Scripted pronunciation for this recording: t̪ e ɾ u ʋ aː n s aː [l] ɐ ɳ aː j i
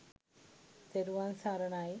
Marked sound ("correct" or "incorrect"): incorrect